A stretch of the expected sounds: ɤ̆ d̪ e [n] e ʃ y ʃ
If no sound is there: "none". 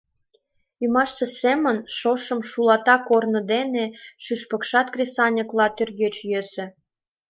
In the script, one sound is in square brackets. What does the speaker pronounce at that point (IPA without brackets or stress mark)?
n